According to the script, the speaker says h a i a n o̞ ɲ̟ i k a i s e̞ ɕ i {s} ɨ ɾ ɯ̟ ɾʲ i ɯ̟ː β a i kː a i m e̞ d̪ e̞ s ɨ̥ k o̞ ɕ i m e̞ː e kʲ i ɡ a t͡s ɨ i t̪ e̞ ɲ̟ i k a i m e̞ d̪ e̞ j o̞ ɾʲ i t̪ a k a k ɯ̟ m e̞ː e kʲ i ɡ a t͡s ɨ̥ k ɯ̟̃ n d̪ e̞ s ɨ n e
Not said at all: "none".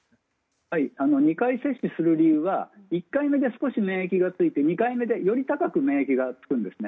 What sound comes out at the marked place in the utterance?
s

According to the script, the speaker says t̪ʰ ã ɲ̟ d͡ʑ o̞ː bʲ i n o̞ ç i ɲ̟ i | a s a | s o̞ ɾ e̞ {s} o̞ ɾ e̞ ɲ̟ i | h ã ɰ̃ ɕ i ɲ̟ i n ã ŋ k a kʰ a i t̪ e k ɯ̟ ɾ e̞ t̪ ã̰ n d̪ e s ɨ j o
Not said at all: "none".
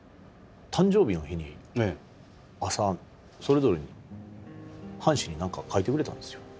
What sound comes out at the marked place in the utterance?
z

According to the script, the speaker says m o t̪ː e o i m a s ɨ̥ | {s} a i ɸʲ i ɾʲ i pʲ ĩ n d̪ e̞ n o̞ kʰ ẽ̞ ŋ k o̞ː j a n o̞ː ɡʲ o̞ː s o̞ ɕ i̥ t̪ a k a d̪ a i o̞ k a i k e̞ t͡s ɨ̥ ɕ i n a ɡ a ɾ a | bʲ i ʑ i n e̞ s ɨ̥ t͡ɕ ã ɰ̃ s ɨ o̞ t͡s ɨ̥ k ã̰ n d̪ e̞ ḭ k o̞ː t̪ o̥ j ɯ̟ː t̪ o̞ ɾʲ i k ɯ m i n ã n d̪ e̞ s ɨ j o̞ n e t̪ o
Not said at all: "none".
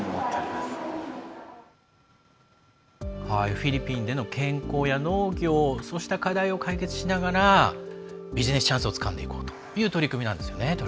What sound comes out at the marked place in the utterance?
h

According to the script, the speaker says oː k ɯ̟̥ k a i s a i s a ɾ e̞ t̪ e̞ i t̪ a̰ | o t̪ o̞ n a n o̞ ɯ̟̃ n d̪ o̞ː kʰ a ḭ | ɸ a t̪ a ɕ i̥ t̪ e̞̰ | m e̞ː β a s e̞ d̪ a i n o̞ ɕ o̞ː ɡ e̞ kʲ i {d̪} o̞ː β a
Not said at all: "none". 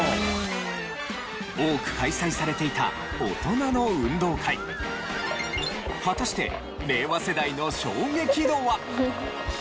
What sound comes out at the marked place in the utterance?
d̪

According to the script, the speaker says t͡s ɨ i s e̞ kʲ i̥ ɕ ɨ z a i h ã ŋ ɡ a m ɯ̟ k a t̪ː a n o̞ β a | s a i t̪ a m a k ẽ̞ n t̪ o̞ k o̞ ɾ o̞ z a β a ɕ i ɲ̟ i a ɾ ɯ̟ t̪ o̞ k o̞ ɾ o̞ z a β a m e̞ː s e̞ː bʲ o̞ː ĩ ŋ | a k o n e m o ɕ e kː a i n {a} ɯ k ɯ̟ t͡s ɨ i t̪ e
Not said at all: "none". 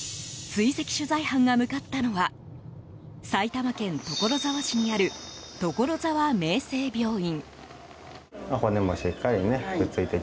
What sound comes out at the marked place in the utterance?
e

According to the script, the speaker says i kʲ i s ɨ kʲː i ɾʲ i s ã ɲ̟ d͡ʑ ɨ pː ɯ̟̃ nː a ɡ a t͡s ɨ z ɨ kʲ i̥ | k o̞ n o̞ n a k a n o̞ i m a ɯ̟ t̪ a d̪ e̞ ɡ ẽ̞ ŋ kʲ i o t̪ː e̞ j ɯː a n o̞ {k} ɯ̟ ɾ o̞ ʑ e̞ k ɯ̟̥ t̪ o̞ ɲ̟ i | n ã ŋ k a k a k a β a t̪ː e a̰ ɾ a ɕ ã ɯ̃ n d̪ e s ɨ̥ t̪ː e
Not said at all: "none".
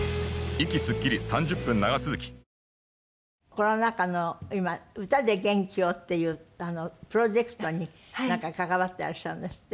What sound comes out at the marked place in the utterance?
p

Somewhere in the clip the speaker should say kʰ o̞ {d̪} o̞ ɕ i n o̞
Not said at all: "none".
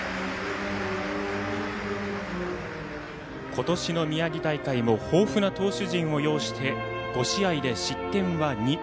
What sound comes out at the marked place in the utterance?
t̪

